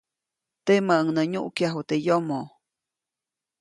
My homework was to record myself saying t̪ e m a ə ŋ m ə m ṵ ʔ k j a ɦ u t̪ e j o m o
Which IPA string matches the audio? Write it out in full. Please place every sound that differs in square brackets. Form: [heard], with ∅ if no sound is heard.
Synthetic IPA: t̪ e m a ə ŋ [n] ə [ɲ] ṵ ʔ k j a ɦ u t̪ e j o m o